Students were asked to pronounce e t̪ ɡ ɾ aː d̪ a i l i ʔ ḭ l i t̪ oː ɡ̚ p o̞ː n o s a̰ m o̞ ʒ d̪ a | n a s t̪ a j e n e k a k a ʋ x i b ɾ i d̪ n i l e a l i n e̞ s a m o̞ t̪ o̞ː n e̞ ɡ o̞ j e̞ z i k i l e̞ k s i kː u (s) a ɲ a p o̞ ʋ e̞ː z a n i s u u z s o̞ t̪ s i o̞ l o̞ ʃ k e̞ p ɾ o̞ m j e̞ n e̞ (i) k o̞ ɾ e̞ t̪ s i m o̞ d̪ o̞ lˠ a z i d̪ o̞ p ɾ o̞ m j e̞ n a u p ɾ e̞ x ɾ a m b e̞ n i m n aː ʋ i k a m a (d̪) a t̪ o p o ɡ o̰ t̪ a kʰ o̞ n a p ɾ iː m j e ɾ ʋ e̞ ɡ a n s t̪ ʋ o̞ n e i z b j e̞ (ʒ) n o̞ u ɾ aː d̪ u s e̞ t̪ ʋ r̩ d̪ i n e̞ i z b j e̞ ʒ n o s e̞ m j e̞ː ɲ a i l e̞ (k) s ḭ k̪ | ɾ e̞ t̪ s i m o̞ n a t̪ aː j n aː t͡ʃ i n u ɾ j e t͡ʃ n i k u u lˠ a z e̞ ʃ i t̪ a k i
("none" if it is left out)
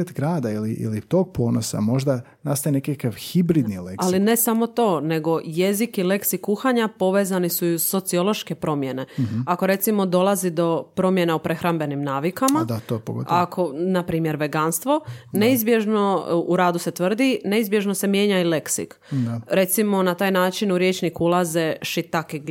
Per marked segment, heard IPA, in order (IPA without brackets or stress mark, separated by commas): x, a, d̪, ʒ, k